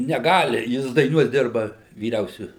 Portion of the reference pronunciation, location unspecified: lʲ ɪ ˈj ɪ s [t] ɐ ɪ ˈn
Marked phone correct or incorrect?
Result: incorrect